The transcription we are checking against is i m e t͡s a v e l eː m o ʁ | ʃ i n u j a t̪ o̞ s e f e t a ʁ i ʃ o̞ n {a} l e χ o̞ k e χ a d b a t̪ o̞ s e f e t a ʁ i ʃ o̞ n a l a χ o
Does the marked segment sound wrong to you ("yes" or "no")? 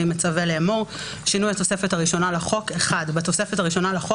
no